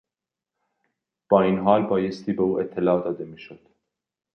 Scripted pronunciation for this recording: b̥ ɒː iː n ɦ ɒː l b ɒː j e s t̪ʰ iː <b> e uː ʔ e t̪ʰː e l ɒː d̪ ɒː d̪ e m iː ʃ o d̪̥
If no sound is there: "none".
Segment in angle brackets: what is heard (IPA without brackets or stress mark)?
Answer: b